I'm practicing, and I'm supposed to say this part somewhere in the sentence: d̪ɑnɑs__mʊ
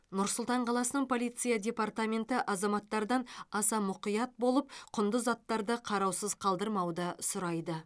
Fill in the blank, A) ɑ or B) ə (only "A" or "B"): A